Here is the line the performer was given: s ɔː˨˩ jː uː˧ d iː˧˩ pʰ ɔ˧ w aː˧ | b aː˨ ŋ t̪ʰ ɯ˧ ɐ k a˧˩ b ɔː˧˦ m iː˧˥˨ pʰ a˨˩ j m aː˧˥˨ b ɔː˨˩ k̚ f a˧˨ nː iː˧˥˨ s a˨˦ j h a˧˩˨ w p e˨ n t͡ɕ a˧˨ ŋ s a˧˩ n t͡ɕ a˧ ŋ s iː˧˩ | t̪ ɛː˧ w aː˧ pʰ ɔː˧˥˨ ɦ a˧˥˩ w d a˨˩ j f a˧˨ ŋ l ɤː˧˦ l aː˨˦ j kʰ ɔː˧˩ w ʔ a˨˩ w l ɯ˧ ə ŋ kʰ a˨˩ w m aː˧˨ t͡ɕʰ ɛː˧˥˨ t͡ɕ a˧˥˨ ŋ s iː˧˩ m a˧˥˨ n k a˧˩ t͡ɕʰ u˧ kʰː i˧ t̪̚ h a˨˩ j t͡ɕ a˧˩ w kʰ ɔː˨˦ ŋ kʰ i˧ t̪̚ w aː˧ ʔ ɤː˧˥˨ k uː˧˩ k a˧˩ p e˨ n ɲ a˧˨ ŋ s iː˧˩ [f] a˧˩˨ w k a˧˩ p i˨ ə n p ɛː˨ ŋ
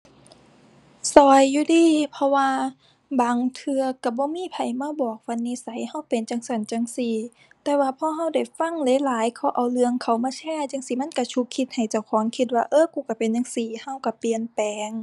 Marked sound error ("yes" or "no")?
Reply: yes